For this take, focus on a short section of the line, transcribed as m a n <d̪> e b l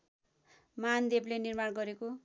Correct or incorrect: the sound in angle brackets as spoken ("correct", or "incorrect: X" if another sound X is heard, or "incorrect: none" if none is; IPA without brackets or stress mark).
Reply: correct